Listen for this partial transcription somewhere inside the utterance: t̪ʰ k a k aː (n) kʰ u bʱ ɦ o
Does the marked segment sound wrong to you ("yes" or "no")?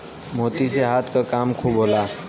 yes